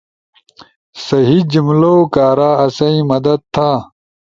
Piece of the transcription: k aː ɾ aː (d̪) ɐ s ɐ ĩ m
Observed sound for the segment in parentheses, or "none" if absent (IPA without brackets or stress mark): none